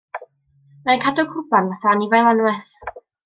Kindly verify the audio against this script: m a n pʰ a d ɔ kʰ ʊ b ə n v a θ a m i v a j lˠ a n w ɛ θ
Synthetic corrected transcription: m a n kʰ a d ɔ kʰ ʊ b a n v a θ a n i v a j lˠ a n w ɛ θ

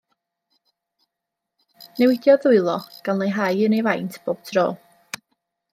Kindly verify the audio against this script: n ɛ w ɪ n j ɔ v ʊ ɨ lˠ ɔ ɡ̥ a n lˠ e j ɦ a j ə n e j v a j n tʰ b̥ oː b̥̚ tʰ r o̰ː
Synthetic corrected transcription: n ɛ w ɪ d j ɔ ð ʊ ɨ lˠ ɔ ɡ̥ a n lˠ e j ɦ a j ə n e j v a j n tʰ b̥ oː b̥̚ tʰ r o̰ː

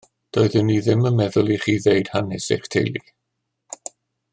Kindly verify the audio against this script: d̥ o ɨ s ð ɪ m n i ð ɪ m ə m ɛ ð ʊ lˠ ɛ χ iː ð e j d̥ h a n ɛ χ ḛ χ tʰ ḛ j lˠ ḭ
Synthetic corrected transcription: d̥ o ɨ ð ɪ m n i ð ɪ m ə m ɛ ð ʊ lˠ i χ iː ð e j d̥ h a n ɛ s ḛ χ tʰ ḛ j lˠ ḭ

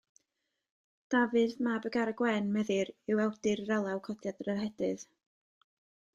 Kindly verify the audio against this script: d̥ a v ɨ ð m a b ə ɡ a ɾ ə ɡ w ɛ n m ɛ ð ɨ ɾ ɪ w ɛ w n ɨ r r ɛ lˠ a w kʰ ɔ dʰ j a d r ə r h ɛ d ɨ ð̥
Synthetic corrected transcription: d̥ a v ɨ ð m a b ə ɡ a ɾ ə ɡ w ɛ n m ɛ ð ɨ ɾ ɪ w ɛ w d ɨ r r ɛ lˠ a w kʰ ɔ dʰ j a d r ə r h ɛ d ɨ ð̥

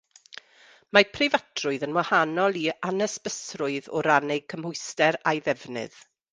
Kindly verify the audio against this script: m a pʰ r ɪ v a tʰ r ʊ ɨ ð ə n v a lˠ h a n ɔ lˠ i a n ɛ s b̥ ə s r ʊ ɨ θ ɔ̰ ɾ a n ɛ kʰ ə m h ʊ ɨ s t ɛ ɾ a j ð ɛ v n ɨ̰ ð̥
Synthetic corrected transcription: m a pʰ r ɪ v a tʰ r ʊ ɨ ð ə n w a h a n ɔ lˠ i a n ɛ s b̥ ə s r ʊ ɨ ð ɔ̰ ɾ a n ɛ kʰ ə m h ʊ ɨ s t ɛ ɾ a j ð ɛ v n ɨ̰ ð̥

